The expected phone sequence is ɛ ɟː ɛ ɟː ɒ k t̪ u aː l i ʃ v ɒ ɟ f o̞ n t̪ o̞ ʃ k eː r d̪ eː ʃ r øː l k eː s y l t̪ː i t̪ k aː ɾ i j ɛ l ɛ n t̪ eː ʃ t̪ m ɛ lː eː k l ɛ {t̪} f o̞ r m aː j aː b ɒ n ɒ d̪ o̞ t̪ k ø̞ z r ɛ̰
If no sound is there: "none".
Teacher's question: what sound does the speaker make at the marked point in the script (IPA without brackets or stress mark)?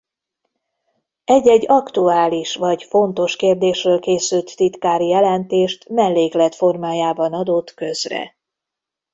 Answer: t̪